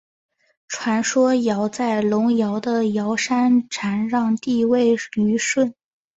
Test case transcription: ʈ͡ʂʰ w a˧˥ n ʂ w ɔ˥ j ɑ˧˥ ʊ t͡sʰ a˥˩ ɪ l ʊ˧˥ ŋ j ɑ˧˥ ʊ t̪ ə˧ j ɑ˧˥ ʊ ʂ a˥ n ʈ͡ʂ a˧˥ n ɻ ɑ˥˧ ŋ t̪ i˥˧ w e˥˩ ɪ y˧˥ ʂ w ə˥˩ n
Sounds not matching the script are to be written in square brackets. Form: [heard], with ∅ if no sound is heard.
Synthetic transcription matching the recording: ʈ͡ʂʰ w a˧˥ n ʂ w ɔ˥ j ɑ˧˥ ʊ [t͡s] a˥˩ ɪ l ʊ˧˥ ŋ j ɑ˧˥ ʊ [d̪] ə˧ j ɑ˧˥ ʊ ʂ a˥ n [ʈ͡ʂʰ] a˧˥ n ɻ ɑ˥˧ ŋ t̪ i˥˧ w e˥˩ ɪ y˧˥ ʂ w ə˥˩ n